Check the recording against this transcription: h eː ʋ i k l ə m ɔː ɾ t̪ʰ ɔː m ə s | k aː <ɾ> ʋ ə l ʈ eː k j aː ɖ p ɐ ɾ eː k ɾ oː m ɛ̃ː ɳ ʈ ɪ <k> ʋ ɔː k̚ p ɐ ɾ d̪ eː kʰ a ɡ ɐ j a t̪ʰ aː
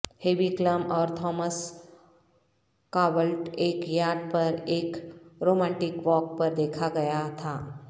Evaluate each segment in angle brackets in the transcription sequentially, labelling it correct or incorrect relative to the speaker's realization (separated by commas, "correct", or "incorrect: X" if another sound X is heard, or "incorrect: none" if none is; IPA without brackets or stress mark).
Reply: incorrect: none, correct